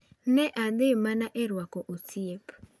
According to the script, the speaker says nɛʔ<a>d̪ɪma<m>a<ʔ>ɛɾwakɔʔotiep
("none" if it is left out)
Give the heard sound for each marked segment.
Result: a, n, ʔ

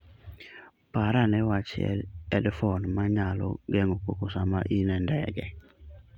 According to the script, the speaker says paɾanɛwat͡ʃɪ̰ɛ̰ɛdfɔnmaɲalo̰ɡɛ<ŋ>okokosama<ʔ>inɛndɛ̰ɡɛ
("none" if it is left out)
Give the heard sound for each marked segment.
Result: ŋ, ʔ

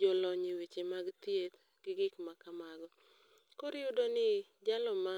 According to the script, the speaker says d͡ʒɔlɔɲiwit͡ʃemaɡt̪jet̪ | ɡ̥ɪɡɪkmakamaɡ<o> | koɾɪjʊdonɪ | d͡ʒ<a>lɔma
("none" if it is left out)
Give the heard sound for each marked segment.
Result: ɔ, a

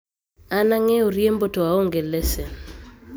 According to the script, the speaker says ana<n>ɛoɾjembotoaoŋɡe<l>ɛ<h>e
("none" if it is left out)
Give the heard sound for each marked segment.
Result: ŋ, l, s

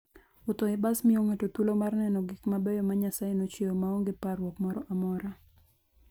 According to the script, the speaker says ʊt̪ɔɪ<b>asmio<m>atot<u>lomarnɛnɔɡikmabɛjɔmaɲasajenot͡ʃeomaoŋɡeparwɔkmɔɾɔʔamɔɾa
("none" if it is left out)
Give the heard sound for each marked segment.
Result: b, ŋ, u

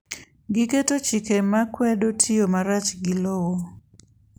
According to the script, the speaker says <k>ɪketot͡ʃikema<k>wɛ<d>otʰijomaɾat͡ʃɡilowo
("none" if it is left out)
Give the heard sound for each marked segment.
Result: ɡ, k, d

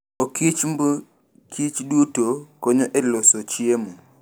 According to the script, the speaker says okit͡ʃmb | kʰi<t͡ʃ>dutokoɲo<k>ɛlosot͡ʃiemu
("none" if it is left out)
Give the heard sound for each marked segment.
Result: t͡ʃ, ʔ

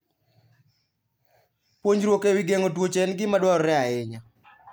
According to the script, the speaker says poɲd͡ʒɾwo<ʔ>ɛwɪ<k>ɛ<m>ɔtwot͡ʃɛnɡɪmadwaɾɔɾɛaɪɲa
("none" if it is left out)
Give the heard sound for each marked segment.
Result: k, ɡ, ŋ

